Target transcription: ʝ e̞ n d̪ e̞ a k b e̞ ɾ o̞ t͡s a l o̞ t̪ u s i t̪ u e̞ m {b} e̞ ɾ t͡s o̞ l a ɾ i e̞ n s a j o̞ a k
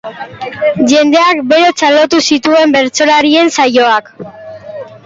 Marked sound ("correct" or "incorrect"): correct